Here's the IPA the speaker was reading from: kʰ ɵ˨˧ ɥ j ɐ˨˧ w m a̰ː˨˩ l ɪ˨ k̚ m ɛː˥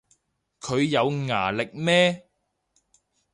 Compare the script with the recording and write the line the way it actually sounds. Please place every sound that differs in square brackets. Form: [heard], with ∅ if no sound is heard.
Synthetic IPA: kʰ ɵ˨˧ ɥ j ɐ˨˧ w [ŋ] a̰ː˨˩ l ɪ˨ k̚ m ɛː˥